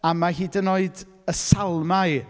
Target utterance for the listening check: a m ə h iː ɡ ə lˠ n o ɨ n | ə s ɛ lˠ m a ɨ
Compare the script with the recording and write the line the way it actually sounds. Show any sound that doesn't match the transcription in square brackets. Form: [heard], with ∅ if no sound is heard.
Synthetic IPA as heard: a m [a] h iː [d] ə [∅] n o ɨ [d] | ə s [a] lˠ m a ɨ